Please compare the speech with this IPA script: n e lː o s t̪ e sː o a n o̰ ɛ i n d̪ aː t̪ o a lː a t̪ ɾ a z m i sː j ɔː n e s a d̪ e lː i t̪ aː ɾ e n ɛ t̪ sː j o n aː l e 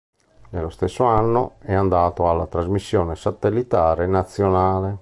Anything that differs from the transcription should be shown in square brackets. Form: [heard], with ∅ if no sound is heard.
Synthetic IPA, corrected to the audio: n e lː o s t̪ e sː o a [nː] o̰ ɛ [a] n d̪ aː t̪ o a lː a t̪ ɾ a z m i sː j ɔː n e s a [t̪] e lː i t̪ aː ɾ e n [a] t̪ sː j o n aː l e